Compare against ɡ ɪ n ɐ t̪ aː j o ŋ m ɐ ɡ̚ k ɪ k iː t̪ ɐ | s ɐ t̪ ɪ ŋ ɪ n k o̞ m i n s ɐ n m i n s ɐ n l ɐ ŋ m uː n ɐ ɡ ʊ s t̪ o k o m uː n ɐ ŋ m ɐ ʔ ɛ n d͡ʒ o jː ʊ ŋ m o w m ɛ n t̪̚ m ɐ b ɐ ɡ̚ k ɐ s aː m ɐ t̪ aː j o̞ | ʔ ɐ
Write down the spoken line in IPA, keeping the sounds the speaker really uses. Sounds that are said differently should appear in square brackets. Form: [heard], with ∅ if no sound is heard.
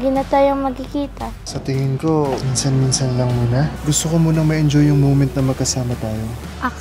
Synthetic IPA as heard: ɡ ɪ n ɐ t̪ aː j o ŋ m ɐ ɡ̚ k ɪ k iː t̪ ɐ | s ɐ t̪ ɪ ŋ ɪ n k o̞ m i n s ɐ n m i n s ɐ n l ɐ ŋ m uː n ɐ ɡ ʊ s t̪ o k o m uː n ɐ ŋ m ɐ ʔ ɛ n d͡ʒ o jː ʊ ŋ m o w m ɛ n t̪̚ [n] ɐ [m] ɐ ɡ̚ k ɐ s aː m ɐ t̪ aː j o̞ | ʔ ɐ